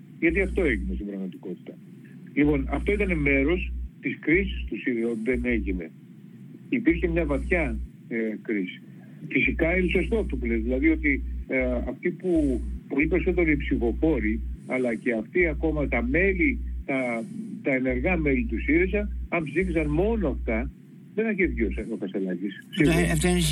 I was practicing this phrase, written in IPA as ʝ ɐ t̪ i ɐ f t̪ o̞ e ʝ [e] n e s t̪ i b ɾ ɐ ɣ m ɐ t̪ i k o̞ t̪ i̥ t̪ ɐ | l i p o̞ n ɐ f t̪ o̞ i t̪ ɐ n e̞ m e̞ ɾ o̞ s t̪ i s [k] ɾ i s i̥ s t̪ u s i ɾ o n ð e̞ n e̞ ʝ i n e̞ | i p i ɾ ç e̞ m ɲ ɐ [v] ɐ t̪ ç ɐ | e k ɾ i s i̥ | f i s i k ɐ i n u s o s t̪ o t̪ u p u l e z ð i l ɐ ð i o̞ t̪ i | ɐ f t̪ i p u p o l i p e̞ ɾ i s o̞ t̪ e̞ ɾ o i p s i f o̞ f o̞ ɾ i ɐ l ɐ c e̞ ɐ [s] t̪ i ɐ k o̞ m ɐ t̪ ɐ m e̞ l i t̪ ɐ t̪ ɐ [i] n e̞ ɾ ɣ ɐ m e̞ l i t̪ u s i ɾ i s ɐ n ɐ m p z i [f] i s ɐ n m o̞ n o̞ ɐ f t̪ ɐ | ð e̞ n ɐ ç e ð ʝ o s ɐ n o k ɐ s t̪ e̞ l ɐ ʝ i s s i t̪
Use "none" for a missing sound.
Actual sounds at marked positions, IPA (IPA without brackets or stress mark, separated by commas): i, k, v, f, e, f